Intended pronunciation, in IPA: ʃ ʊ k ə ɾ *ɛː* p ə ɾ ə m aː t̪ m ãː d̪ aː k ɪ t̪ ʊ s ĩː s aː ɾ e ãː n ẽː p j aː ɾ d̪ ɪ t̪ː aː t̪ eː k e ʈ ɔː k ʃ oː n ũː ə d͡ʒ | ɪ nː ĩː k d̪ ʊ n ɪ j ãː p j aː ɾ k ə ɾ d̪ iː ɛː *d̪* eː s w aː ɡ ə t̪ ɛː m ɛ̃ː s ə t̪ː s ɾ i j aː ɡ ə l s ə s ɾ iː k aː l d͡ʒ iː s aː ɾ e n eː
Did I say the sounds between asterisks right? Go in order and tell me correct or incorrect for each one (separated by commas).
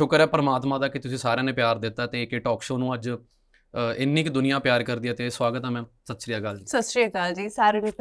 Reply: correct, incorrect